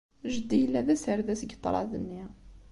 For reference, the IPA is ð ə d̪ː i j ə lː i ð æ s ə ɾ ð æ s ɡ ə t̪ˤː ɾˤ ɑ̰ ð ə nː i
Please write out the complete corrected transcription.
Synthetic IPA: ʒ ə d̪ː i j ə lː æ ð æ s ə ɾ ð æ s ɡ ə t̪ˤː ɾˤ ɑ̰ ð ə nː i